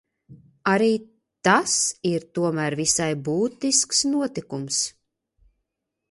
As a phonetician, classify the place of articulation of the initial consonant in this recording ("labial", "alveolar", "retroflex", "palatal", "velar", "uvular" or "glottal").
alveolar